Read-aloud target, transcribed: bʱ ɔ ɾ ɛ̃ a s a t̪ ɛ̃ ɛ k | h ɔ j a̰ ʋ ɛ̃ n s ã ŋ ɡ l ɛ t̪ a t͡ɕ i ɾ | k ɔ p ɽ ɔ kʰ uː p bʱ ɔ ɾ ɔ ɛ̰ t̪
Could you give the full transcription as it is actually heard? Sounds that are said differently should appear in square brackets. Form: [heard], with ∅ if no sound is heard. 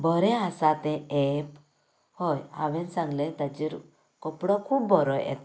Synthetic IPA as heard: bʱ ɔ ɾ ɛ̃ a s a t̪ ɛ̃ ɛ [p] | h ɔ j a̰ ʋ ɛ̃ n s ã ŋ ɡ l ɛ t̪ a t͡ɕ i ɾ | k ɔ p ɽ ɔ kʰ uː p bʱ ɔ ɾ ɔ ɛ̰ t̪